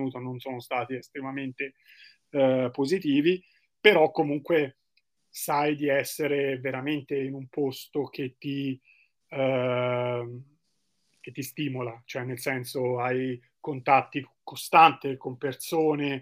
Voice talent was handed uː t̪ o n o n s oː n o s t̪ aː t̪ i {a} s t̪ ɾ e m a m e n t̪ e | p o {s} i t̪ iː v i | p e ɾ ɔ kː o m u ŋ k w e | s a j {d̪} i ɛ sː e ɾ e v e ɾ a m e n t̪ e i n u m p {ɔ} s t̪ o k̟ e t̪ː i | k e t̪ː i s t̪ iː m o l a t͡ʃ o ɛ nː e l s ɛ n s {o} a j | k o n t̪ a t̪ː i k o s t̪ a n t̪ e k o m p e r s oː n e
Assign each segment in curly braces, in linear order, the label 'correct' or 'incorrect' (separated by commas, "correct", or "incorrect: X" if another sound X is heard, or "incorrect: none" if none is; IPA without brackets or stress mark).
incorrect: e, incorrect: z, correct, incorrect: o, correct